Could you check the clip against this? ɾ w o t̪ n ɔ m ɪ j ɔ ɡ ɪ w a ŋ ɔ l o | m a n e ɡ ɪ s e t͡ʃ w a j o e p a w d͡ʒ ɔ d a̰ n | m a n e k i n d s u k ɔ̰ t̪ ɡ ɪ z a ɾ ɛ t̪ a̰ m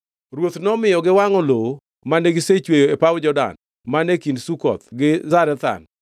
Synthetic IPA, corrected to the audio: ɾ w o t̪ n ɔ m ɪ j ɔ ɡ ɪ w a ŋ ɔ l o | m a n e ɡ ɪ s e t͡ʃ w e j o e p a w d͡ʒ ɔ d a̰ n | m a n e k i n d s u k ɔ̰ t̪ ɡ ɪ z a ɾ ɛ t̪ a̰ n

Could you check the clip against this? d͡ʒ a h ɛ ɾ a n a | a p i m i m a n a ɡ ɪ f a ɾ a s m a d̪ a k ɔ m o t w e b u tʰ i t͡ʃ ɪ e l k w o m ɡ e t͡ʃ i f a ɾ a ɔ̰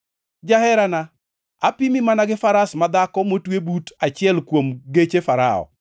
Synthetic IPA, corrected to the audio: d͡ʒ a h ɛ ɾ a n a | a p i m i m a n a ɡ ɪ f a ɾ a s m a d̪ a k ɔ m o t w e b u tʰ a t͡ʃ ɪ ɛ l k w o m ɡ e t͡ʃ e f a ɾ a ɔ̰

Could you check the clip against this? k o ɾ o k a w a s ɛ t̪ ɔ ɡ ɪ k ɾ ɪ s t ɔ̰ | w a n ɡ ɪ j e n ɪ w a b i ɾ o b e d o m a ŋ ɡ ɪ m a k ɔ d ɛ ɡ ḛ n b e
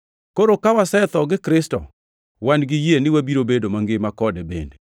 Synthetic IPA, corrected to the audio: k o ɾ o k a w a s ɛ t̪ ɔ ɡ ɪ k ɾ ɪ s t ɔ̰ | w a n ɡ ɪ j e n ɪ w a b i ɾ o b e d o m a ŋ ɡ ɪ m a k ɔ d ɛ b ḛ n d e

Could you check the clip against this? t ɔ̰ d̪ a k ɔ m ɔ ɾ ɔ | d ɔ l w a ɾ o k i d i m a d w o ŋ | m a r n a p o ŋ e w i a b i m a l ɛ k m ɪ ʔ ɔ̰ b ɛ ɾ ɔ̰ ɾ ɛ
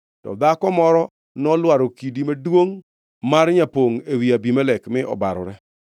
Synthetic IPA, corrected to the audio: t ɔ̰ d̪ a k ɔ m ɔ ɾ ɔ | n ɔ l w a ɾ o k i d i m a d w o ŋ | m a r ɲ a p o ŋ e w i a b i m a l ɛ k m ɪ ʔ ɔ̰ b a ɾ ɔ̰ ɾ ɛ

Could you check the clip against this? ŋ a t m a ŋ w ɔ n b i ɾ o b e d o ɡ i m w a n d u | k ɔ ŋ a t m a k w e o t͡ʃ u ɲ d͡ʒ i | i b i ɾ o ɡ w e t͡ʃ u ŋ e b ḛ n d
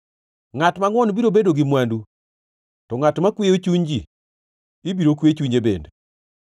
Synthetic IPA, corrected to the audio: ŋ a t m a ŋ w ɔ n b i ɾ o b e d o ɡ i m w a n d u | t ɔ ŋ a t m a k w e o t͡ʃ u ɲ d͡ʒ i | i b i ɾ o k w e t͡ʃ u ɲ e b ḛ n d

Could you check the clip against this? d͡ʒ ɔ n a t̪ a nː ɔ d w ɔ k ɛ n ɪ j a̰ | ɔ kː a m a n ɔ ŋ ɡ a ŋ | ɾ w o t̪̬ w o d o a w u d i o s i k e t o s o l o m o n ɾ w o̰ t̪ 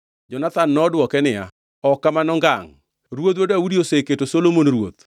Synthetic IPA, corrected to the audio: d͡ʒ ɔ n a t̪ a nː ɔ d w ɔ k ɛ n ɪ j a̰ | ɔ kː a m a n ɔ ŋ ɡ a ŋ | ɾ w o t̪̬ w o d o a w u d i o s e k e t o s o l o m o n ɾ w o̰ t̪

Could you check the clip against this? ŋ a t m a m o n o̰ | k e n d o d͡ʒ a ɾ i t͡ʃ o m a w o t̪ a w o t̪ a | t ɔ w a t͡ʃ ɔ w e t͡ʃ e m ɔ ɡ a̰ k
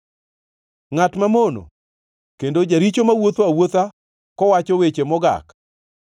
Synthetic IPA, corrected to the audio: ŋ a t m a m o n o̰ | k e n d o d͡ʒ a ɾ i t͡ʃ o m a w o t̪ a w o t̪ a | k ɔ w a t͡ʃ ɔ w e t͡ʃ e m ɔ ɡ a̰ k

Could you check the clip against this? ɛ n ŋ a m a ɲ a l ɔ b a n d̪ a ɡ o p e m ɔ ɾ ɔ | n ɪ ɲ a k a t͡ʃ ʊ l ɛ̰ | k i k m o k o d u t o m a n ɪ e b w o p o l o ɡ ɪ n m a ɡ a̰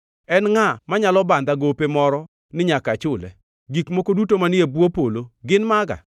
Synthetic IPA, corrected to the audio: ɛ n ŋ a m a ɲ a l ɔ b a n d̪ a ɡ o p e m ɔ ɾ ɔ | n ɪ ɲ a k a t͡ʃ ʊ l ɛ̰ | ɡ i k m o k o d u t o m a n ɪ e b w o p o l o ɡ ɪ n m a ɡ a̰

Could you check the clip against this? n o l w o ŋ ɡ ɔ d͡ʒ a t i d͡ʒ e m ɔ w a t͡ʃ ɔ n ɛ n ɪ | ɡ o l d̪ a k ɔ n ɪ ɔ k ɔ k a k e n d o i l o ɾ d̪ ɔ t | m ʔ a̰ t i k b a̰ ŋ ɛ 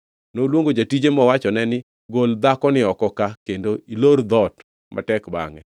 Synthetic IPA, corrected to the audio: n o l w o ŋ ɡ o d͡ʒ a t i d͡ʒ e m ɔ w a t͡ʃ ɔ n ɛ n ɪ | ɡ o l d̪ a k ɔ n ɪ ɔ k ɔ k a k e n d o i l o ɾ d̪ ɔ t | m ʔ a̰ t ɛ k b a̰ ŋ ɛ

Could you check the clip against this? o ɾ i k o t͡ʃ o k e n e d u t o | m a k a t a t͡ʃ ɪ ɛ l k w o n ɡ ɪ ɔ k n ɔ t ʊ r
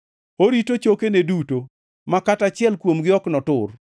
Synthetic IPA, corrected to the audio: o ɾ i t o t͡ʃ o k e n e d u t o | m a k a t a t͡ʃ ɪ ɛ l k w o m ɡ ɪ ɔ k n ɔ t ʊ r

